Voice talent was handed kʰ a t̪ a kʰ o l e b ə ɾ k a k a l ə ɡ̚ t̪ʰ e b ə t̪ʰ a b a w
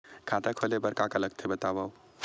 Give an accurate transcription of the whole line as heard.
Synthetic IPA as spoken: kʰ a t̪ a kʰ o l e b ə ɾ k a k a l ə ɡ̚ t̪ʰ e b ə t̪ a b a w